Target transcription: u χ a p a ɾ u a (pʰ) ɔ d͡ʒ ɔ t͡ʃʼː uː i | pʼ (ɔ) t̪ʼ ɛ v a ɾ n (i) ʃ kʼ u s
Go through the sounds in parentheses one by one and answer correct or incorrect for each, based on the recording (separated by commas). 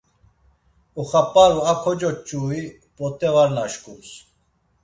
incorrect, correct, incorrect